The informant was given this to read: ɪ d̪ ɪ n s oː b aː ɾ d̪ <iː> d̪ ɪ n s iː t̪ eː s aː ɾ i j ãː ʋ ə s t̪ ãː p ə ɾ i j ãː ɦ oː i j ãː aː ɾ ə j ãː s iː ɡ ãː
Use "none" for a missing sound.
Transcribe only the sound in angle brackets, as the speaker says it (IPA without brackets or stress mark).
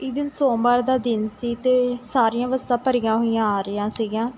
aː